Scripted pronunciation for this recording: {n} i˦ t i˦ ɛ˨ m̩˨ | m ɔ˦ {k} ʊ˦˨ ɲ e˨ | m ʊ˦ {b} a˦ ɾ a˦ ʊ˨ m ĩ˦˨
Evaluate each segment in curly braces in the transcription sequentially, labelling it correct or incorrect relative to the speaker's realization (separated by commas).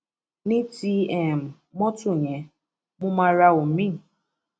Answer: correct, incorrect, incorrect